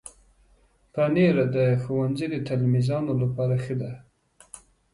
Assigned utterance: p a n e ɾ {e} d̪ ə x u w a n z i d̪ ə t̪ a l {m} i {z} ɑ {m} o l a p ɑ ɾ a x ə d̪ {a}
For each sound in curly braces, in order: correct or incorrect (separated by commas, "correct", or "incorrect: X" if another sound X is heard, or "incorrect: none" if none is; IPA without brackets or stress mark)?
incorrect: a, correct, correct, incorrect: n, correct